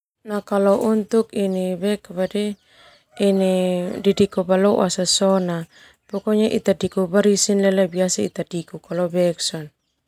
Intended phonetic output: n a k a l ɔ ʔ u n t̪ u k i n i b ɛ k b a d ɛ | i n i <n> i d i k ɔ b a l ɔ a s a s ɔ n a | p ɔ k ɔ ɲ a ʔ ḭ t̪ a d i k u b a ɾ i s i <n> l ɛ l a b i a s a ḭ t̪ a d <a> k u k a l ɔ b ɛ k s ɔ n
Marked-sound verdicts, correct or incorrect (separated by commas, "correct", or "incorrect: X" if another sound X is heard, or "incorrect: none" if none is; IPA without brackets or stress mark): incorrect: d, correct, incorrect: i